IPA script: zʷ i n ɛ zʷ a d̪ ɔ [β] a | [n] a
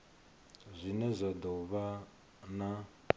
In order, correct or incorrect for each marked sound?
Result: correct, correct

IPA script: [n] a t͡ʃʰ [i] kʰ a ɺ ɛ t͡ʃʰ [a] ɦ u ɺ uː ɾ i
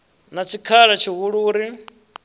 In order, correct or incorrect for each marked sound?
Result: correct, correct, incorrect: i

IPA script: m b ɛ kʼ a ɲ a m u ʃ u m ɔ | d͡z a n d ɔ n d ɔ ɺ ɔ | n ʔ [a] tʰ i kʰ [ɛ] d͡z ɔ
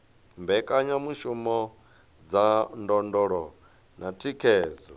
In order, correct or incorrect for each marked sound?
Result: correct, incorrect: ɛː

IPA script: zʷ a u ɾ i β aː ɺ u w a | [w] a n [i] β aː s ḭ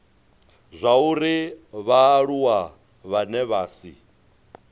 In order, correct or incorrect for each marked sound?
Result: incorrect: β, incorrect: ɛ

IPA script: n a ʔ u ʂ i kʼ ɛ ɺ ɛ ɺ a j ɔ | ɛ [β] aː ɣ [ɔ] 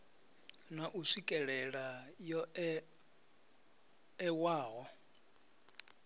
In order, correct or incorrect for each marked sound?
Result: incorrect: w, correct

